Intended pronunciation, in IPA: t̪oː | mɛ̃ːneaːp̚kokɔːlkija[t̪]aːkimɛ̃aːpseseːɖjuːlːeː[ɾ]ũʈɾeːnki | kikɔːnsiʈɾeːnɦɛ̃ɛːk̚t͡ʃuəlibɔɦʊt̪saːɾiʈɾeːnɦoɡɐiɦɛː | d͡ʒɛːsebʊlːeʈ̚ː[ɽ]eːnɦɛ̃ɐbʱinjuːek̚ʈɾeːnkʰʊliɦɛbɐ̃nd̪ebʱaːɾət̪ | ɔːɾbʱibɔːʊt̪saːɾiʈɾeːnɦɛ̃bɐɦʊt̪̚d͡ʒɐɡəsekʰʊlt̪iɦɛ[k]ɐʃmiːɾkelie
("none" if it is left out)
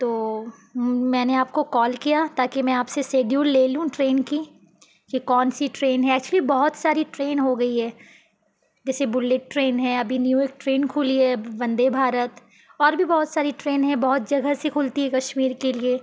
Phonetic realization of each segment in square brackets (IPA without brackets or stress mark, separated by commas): t̪, l, ɾ, k